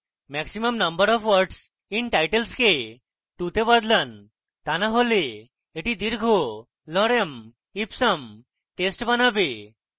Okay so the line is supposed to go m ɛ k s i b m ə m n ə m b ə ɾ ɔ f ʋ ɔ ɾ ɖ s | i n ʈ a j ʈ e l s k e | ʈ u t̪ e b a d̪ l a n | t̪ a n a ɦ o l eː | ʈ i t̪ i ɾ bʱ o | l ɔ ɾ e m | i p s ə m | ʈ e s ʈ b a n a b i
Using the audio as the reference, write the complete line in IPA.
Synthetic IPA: m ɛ k s i m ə m n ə m b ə ɾ ɔ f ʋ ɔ ɾ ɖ s | i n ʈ a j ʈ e l s k e | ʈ u t̪ e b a d̪ l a n | t̪ a n a ɦ o l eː | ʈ i d̪ i ɾ ɡʱ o | l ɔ ɾ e m | i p s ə m | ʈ e s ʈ b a n a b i